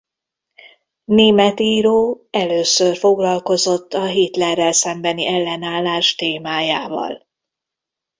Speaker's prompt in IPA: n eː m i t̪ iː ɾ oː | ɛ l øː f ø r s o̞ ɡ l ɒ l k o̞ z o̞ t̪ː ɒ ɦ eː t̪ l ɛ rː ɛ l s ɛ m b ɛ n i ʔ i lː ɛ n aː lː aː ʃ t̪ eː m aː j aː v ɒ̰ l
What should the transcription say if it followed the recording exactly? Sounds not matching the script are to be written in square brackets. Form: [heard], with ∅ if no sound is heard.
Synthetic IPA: n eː m [ɛ] t̪ iː ɾ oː | ɛ l øː [s] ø r [f] o̞ ɡ l ɒ l k o̞ z o̞ t̪ː ɒ ɦ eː t̪ l ɛ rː ɛ l s ɛ m b ɛ n i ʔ [ɛ] lː ɛ n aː lː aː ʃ t̪ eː m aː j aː v ɒ̰ l